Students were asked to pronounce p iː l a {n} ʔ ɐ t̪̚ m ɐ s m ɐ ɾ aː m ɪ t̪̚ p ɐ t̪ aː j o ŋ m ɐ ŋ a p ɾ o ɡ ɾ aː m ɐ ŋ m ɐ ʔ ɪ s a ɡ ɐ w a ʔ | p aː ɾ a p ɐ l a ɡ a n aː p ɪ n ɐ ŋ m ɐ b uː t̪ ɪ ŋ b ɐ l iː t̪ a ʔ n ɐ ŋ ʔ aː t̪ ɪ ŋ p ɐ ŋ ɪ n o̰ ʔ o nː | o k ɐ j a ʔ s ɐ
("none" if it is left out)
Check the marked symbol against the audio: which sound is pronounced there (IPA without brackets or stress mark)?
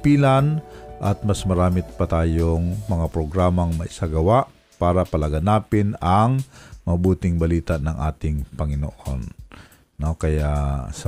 n